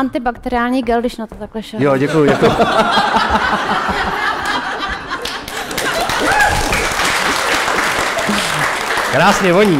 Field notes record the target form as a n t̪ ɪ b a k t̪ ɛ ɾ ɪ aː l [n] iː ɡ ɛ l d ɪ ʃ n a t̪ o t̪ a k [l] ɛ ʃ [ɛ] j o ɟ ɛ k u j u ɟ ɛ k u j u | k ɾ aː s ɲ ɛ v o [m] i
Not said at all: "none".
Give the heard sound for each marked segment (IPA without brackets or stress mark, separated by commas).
ɲ, l, ɛ, ɲ